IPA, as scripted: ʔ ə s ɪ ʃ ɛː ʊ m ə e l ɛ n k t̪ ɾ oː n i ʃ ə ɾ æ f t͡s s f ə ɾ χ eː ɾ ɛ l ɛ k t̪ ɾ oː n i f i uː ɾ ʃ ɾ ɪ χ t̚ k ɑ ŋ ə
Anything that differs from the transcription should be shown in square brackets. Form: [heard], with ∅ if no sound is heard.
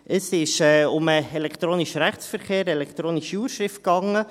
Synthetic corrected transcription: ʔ ə s ɪ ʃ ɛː ʊ m ə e l ɛ [∅] k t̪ ɾ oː n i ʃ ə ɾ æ [χ] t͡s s f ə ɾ χ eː ɾ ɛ l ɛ k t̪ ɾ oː n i [ʃ] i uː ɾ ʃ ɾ ɪ [f] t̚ k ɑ ŋ ə